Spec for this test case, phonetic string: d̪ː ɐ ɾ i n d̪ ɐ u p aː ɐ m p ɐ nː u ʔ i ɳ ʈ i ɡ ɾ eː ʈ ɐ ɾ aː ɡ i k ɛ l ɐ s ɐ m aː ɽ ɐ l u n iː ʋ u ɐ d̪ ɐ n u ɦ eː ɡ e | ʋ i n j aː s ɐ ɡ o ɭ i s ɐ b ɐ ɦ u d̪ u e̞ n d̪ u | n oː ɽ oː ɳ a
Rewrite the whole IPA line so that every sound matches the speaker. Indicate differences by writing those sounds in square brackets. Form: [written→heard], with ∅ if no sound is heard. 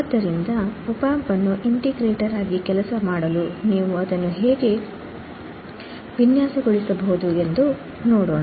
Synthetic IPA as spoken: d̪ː ɐ ɾ i n d̪ ɐ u p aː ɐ m p ɐ nː u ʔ i ɳ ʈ i ɡ ɾ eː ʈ ɐ ɾ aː ɡ i k ɛ l ɐ s ɐ m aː ɽ ɐ l u n iː ʋ u ɐ d̪ ɐ [n→nː] u ɦ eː ɡ e | ʋ i n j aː s ɐ ɡ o ɭ i s ɐ b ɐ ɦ u d̪ u e̞ n d̪ u | n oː ɽ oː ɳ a